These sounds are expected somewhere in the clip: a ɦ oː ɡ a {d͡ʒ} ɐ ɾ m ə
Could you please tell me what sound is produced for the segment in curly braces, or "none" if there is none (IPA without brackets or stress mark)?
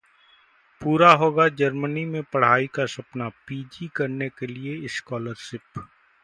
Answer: d͡ʒ